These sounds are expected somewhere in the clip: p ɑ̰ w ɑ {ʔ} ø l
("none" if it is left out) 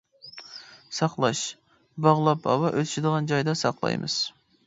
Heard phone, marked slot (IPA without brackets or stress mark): ʔ